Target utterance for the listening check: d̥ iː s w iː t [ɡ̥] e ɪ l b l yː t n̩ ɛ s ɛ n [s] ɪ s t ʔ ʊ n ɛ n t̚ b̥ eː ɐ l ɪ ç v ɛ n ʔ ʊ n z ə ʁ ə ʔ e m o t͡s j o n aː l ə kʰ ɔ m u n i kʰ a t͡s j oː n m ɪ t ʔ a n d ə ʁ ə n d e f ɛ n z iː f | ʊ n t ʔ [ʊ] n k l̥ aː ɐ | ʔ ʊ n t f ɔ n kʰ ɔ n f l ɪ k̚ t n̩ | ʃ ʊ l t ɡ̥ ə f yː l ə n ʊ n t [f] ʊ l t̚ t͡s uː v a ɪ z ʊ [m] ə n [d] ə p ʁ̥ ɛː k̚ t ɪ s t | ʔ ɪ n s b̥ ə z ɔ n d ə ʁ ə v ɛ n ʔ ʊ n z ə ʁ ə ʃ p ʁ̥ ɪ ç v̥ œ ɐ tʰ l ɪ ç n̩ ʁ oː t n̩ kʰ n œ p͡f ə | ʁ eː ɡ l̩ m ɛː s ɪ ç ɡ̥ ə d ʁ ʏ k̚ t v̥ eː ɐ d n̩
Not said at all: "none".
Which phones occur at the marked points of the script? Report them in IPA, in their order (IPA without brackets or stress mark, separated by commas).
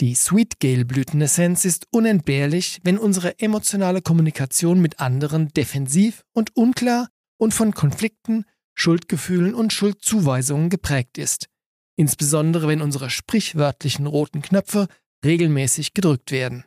ɡ̥, s, ʊ, ʃ, ŋ, ɡ